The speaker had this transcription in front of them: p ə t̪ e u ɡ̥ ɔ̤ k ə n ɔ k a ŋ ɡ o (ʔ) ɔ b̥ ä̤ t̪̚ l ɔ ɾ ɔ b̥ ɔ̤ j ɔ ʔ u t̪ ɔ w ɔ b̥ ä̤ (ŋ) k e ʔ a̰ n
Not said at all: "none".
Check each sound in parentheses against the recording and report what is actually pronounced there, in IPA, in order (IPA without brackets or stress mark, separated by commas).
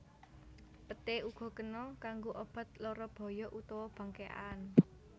ʔ, ŋ